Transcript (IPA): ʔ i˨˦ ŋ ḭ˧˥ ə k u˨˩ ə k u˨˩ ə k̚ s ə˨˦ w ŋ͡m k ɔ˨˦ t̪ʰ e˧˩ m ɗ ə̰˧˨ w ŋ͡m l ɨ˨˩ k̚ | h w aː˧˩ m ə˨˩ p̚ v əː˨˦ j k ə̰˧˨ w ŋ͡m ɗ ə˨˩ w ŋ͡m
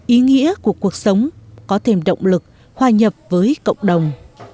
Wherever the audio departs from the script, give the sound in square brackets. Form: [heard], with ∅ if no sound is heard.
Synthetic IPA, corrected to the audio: ʔ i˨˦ ŋ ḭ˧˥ ə k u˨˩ ə k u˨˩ ə k̚ s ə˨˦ w ŋ͡m k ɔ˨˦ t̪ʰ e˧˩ m ɗ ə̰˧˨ w ŋ͡m l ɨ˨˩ k̚ | h w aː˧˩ [ɲ] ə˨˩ p̚ v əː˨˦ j k ə̰˧˨ w ŋ͡m ɗ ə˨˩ w ŋ͡m

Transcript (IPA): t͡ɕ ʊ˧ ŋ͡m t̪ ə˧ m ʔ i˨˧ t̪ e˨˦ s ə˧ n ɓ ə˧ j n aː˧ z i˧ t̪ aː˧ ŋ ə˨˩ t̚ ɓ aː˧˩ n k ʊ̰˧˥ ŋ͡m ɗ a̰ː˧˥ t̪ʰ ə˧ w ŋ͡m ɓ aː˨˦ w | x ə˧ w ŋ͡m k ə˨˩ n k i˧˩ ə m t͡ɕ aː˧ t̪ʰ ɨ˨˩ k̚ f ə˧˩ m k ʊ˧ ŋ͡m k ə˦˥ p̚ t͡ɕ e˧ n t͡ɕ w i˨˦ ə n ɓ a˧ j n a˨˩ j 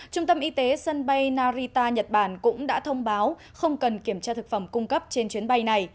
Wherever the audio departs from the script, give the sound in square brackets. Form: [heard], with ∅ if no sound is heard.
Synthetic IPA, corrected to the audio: t͡ɕ ʊ˧ ŋ͡m t̪ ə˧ m ʔ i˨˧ t̪ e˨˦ s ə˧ n ɓ [a˧] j n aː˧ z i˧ t̪ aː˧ [ɲ] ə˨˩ t̚ ɓ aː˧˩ n k ʊ̰˧˥ ŋ͡m ɗ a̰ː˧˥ t̪ʰ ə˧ w ŋ͡m ɓ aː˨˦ w | x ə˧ w ŋ͡m k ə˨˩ n k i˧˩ ə m t͡ɕ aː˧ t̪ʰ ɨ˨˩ k̚ f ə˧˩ m k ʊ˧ ŋ͡m k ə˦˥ p̚ t͡ɕ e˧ n t͡ɕ w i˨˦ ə n ɓ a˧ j n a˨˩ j

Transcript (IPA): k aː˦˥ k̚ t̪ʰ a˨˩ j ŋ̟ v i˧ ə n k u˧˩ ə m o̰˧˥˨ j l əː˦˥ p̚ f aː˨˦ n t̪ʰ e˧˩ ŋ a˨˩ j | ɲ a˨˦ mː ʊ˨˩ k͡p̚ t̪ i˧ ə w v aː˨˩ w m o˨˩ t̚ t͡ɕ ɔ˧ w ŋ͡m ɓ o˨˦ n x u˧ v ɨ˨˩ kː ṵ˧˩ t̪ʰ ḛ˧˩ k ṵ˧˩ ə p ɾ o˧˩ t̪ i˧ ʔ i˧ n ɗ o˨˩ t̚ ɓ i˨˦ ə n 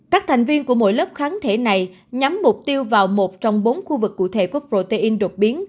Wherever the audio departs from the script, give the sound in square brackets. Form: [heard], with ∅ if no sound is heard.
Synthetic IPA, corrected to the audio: k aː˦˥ k̚ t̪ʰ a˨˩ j ŋ̟ v i˧ ə n k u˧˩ ə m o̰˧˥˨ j l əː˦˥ p̚ [x] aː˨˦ n t̪ʰ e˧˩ [n] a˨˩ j | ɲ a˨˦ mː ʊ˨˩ k͡p̚ t̪ i˧ ə w v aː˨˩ w m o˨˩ t̚ t͡ɕ ɔ˧ w ŋ͡m ɓ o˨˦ n x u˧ v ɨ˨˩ kː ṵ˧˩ t̪ʰ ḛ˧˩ k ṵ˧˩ ə p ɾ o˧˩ t̪ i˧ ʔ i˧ n ɗ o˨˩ t̚ ɓ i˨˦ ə n

